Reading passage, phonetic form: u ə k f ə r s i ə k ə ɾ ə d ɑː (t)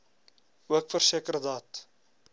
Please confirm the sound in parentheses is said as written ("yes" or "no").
yes